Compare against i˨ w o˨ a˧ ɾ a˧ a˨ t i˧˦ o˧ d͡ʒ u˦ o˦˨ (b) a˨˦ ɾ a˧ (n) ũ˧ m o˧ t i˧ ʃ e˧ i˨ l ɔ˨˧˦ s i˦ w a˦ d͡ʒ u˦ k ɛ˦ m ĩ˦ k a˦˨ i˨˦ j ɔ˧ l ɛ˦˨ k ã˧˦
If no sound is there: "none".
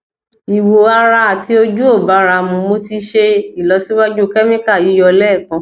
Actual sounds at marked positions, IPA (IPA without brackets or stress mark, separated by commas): b, m